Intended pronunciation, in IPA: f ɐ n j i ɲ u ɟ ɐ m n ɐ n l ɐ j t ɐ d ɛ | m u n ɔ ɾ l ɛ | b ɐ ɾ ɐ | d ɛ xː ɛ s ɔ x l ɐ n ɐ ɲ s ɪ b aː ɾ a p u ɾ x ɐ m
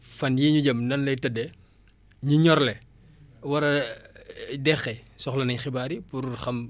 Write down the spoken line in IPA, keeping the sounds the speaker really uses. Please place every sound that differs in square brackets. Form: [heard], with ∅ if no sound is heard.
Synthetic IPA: f ɐ n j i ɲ u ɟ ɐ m n ɐ n l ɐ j t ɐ d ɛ | [ɲ] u [ɲ] ɔ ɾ l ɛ | [w] ɐ ɾ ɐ | d ɛ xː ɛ s ɔ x l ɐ n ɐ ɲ [x] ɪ b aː ɾ [i] p u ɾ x ɐ m